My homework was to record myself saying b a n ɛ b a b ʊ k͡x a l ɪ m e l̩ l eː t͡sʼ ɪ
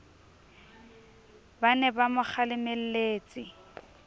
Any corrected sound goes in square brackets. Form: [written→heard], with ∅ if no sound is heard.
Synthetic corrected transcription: b a n ɛ b a [b→m] ʊ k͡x a l ɪ m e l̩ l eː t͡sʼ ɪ